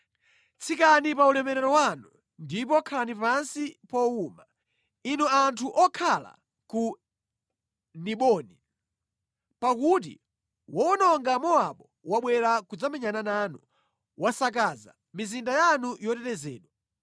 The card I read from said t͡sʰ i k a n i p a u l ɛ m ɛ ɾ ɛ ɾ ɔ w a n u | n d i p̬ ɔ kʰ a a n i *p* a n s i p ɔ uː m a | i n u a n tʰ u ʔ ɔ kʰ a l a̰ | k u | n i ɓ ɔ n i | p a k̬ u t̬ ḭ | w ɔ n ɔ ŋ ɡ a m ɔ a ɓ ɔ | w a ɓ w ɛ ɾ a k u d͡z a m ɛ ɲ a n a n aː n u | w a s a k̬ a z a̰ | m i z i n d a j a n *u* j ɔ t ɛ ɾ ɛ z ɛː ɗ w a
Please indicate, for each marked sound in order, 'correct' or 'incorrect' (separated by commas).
correct, correct